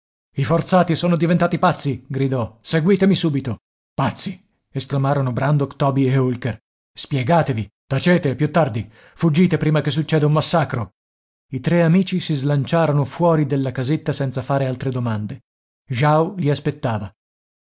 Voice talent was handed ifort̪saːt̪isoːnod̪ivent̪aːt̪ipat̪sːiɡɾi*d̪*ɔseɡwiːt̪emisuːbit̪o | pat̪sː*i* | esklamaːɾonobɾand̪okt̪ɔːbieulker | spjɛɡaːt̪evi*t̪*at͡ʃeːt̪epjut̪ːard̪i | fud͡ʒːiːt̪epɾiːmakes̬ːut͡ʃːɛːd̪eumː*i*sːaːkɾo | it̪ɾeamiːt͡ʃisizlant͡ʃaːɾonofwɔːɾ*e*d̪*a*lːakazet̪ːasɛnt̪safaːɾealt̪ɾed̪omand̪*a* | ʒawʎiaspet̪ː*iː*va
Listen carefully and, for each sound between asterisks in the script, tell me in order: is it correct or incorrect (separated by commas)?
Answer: correct, correct, correct, incorrect, incorrect, incorrect, incorrect, incorrect